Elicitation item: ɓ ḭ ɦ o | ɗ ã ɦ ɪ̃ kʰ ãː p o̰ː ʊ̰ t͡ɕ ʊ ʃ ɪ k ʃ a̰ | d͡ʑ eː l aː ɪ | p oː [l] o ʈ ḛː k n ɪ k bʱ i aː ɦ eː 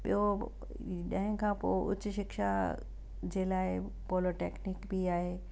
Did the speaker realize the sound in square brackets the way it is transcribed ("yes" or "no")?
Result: yes